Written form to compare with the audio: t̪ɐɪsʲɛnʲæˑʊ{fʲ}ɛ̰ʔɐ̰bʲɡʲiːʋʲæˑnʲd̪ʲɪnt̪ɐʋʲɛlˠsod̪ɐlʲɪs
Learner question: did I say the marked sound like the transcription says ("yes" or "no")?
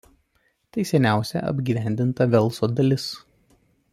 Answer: no